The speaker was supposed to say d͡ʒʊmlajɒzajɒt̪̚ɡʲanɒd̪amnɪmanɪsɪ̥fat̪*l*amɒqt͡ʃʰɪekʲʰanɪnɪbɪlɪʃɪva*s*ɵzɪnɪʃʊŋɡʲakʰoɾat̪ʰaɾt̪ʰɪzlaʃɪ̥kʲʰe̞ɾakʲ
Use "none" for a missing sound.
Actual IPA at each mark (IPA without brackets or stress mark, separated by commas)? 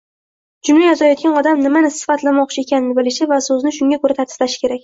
l, s